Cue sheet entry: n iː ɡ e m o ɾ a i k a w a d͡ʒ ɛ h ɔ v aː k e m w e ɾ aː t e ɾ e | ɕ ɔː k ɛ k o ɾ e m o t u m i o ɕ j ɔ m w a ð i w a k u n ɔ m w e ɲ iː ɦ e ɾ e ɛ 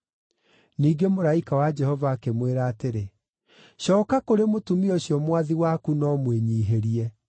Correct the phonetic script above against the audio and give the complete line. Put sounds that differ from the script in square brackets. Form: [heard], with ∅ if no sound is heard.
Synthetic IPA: n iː ɡ e m o ɾ a i k a w a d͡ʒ ɛ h ɔ v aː k e m w e ɾ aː t e ɾ e | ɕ ɔː k [a] k o ɾ e m o t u m i o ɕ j ɔ m w a ð i w a k u n ɔ m w e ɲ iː ɦ e ɾ [i] ɛ